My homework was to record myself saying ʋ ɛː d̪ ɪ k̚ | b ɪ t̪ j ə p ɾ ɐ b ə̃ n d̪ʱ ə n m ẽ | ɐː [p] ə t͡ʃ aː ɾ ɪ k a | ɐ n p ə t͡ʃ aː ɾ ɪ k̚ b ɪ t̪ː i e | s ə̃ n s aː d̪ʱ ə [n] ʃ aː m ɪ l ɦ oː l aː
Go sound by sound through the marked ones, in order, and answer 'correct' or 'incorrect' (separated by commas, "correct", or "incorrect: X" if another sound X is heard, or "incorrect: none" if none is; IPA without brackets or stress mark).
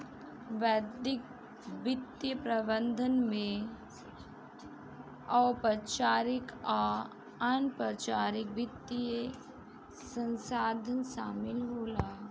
correct, correct